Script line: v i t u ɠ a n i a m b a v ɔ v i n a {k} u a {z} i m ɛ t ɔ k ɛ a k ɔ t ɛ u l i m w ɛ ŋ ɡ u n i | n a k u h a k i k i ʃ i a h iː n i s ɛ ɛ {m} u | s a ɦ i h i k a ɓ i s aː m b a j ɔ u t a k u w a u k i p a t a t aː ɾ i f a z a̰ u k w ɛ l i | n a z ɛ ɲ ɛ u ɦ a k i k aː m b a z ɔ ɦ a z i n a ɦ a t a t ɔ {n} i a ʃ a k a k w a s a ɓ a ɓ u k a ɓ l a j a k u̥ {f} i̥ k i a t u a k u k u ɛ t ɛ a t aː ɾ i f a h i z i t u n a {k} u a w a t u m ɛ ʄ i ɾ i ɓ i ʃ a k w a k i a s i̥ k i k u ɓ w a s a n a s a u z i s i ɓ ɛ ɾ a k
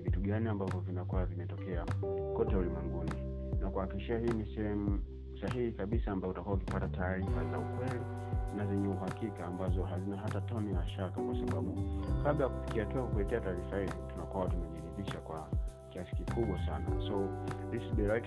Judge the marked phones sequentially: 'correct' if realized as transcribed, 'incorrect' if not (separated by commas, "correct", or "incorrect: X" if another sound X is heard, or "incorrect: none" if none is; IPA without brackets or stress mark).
correct, incorrect: v, correct, correct, correct, correct